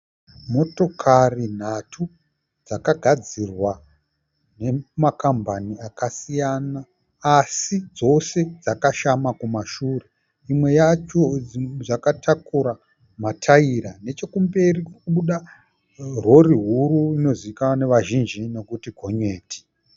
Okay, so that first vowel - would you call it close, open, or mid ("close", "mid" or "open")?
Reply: mid